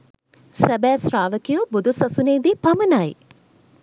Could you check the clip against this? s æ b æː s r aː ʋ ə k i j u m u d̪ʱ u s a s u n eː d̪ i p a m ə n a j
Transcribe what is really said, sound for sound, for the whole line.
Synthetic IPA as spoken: s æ b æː s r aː ʋ ə k i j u b u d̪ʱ u s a s u n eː d̪ i p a m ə n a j